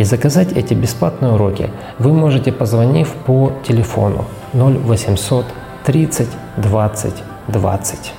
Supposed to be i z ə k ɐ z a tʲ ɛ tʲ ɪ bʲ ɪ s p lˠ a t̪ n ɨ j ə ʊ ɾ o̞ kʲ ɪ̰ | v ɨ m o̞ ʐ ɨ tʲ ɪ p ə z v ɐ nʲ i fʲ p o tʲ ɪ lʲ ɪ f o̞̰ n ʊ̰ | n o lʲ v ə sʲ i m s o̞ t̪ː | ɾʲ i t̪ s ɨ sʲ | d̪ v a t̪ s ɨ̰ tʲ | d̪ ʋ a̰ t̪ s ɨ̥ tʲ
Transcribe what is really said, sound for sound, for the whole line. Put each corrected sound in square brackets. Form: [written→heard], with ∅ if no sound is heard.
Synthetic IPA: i z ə k ɐ z a tʲ ɛ tʲ ɪ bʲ ɪ s p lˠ a t̪ n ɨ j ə ʊ ɾ o̞ kʲ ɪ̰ | v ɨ m o̞ ʐ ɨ tʲ ɪ p ə z v ɐ nʲ i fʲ p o tʲ ɪ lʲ ɪ f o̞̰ n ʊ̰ | n o lʲ v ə sʲ [i→ɪ] m s o̞ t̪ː | ɾʲ i t̪ s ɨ [sʲ→tʲ] | d̪ v a t̪ s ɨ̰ tʲ | d̪ [ʋ→v] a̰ t̪ s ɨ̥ tʲ